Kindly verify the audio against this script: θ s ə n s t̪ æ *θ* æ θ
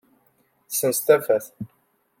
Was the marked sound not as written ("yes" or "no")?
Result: yes